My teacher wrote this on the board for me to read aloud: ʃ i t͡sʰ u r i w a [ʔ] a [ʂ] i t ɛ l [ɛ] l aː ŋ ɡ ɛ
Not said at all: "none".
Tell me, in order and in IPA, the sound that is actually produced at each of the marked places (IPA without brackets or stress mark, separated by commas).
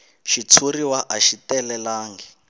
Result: ʔ, ʃ, ɛ